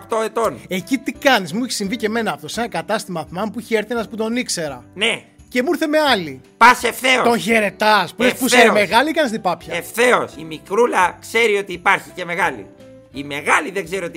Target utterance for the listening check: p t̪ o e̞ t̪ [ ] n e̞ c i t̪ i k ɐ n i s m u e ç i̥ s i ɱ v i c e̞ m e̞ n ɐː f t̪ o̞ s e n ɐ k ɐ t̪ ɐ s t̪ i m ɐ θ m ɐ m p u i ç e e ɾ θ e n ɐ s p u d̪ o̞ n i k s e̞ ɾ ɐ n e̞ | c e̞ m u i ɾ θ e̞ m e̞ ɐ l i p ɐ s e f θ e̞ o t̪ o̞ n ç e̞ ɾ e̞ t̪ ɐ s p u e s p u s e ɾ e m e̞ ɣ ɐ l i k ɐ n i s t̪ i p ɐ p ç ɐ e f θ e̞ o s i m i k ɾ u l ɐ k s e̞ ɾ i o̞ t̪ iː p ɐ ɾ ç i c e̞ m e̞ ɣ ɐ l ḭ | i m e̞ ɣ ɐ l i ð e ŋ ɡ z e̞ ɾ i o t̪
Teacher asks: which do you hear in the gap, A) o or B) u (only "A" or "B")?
A